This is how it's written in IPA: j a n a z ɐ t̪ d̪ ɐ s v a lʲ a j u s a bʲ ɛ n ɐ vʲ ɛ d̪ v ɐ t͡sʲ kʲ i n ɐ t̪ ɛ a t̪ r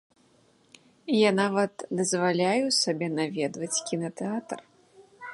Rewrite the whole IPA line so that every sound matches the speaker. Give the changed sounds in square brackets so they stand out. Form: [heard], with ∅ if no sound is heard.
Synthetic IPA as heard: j a n a [v] ɐ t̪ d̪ ɐ [z] v a lʲ a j u s a bʲ ɛ n [a] vʲ ɛ d̪ v ɐ t͡sʲ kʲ i n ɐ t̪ ɛ a t̪ r